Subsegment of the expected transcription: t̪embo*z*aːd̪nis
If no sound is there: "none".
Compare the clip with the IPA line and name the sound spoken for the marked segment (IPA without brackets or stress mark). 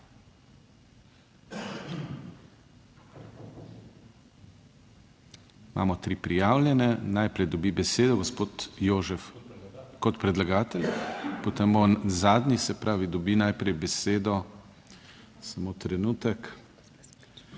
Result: z